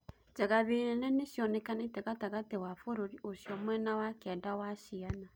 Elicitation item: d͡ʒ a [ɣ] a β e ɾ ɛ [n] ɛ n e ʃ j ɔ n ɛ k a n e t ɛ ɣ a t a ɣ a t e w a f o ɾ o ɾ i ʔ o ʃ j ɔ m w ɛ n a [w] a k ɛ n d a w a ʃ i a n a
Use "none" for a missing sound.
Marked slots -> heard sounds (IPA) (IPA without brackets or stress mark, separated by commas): ɣ, n, w